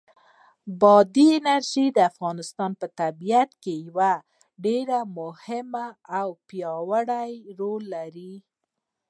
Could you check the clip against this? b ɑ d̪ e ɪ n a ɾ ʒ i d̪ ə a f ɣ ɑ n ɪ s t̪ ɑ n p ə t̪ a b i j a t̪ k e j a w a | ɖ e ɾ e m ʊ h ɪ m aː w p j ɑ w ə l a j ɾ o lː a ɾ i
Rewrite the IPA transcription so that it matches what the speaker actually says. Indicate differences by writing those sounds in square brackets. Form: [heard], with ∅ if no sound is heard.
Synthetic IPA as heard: b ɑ d̪ [i] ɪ n a ɾ ʒ i d̪ ə a f ɣ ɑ n ɪ s t̪ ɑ n p ə t̪ a b i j a t̪ k e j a w a | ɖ e ɾ [a] m ʊ h ɪ m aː w p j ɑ w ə [ɽ] a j ɾ o lː a ɾ i